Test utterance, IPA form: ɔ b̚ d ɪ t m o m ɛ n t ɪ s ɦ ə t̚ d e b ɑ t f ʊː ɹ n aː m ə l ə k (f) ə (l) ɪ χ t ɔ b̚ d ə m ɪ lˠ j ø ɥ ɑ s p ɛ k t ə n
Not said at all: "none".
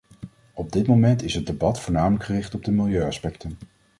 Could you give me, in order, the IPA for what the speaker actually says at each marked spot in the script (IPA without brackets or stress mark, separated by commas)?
χ, r